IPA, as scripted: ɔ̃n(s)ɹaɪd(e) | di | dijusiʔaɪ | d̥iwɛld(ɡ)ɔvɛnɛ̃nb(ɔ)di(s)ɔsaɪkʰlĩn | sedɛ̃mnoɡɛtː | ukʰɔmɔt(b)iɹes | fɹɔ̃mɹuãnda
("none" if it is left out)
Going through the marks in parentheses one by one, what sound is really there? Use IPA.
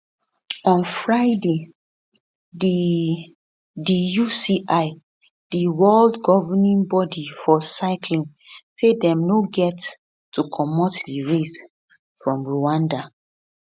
f, e, ɡ, ɔ, f, d

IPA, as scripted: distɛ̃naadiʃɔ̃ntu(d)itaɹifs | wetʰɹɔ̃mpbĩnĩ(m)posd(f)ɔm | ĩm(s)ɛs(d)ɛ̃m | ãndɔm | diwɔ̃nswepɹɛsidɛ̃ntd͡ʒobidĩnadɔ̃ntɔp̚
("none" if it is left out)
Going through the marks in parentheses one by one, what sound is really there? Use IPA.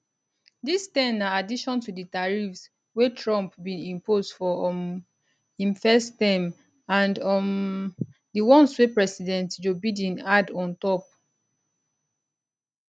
d, m, f, f, t

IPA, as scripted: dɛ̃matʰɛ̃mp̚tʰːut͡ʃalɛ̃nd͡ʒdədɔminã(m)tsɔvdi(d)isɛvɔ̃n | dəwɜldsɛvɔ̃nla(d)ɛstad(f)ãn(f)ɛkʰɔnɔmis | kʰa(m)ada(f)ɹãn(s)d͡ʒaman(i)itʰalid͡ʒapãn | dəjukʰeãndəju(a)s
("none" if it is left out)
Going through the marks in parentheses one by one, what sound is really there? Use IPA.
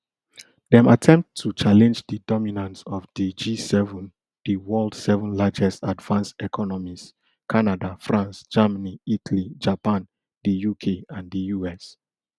n, d͡ʒ, d͡ʒ, v, s, n, f, s, i, ɛ

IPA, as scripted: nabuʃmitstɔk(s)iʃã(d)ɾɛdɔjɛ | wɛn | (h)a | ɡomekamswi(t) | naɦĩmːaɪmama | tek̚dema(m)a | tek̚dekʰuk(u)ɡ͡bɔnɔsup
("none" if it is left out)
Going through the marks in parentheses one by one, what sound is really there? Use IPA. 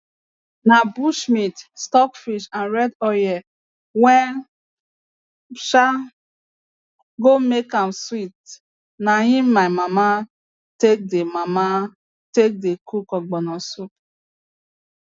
f, n, ʃ, t, m, ɔ

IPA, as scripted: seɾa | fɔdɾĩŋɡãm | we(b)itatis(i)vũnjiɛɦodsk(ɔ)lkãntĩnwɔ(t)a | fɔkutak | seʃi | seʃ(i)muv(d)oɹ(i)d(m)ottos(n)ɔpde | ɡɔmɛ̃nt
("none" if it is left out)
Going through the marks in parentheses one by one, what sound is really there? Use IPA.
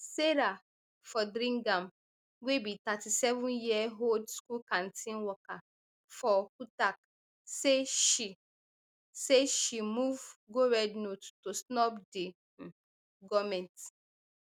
b, ɛ, u, k, i, ɡ, ɛ, n, n

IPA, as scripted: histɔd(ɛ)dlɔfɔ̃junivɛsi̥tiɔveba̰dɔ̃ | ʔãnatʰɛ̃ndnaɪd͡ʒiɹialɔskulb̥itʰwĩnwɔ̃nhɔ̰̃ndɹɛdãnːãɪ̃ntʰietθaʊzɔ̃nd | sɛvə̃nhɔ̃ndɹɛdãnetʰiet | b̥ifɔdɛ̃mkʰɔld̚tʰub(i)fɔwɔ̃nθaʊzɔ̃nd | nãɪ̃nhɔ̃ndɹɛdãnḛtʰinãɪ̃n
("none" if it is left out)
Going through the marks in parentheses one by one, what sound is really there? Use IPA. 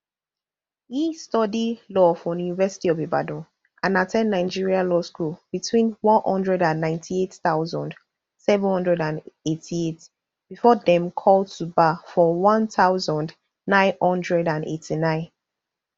i, a

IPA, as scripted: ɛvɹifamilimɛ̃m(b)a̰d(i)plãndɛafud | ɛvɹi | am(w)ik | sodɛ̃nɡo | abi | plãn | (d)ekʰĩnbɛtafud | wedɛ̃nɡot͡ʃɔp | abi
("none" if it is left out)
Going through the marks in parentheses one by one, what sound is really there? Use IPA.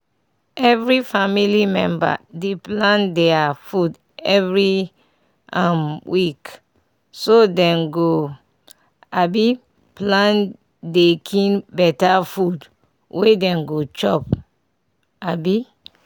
b, e, w, d

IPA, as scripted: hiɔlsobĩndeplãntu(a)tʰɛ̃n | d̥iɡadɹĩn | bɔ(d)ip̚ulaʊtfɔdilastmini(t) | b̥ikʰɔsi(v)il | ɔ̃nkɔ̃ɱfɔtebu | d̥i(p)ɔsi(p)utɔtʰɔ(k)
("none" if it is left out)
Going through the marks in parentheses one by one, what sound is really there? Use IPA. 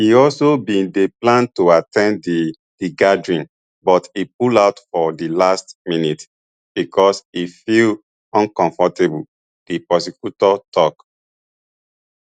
a, t, t, f, p, k, k

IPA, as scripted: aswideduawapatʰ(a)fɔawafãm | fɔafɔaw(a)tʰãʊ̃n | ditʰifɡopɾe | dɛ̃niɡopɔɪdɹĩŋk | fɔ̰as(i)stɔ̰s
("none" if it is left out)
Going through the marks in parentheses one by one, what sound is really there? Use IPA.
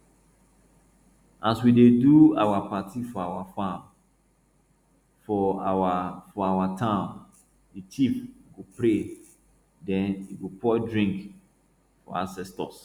i, a, ɛ

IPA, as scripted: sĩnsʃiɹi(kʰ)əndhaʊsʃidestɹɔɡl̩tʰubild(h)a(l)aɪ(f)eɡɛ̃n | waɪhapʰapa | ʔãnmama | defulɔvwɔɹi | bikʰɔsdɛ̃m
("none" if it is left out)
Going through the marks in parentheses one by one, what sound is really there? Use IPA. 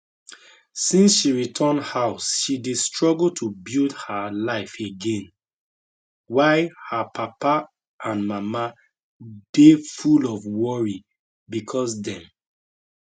tʰ, h, l, f

